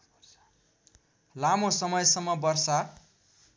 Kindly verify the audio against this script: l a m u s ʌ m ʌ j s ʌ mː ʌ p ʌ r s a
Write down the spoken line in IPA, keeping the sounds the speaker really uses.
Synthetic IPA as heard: l a m o s ʌ m ʌ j s ʌ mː ʌ b ʌ r s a